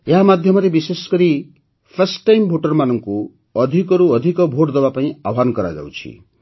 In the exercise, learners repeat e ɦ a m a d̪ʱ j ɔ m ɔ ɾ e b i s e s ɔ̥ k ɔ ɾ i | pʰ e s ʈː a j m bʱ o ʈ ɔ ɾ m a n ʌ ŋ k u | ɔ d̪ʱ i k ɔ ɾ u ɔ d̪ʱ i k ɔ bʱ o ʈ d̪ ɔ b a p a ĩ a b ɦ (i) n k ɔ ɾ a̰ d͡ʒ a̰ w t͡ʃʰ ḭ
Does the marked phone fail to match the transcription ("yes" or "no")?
yes